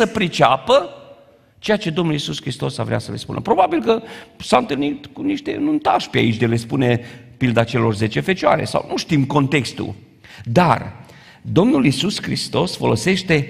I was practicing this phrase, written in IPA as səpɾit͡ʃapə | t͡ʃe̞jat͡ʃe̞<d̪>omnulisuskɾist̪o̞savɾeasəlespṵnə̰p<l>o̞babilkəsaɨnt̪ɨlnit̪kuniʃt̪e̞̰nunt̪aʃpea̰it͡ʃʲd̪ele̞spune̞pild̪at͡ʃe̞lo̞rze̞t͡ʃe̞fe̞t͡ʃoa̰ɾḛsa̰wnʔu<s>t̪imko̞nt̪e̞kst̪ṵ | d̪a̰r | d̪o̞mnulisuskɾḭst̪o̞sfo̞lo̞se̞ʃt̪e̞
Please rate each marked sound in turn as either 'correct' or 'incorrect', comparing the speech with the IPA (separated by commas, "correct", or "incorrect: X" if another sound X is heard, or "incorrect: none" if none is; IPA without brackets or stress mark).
correct, incorrect: ɾ, incorrect: ʃ